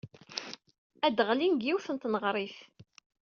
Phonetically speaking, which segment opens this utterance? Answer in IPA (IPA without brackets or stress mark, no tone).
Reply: æ